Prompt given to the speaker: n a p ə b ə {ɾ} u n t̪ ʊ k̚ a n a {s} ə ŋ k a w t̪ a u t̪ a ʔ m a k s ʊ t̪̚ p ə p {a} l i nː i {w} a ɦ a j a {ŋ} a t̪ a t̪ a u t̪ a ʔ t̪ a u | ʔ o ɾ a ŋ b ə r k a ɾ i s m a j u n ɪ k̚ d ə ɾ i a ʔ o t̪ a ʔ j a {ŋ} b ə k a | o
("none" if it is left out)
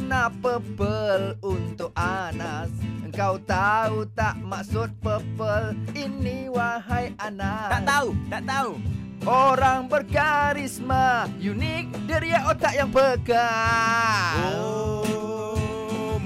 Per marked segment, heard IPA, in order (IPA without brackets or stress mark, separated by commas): l, s, ə, w, n, ŋ